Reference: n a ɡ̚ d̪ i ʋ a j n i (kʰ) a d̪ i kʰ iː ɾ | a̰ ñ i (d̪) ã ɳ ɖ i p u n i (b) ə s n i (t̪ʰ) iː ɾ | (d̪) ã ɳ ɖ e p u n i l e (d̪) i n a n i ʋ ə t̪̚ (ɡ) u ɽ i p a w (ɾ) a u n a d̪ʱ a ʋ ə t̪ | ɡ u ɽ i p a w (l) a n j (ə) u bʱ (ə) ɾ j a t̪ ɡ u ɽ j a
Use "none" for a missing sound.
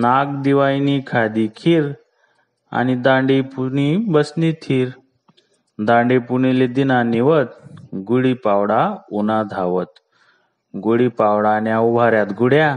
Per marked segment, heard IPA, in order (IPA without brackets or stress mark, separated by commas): kʰ, d̪, b, t̪ʰ, d̪, d̪, ɡ, ɽ, ɽ, a, a